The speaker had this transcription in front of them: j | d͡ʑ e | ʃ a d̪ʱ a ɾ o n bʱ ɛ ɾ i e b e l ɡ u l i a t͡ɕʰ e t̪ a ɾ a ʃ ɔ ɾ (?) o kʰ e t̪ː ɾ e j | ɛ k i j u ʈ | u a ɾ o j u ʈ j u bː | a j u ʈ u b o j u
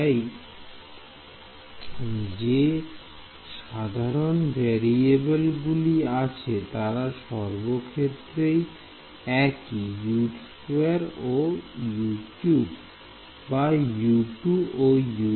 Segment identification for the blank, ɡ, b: b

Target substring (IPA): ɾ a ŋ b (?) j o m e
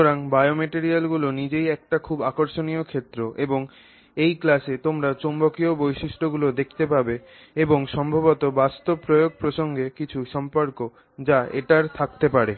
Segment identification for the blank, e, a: a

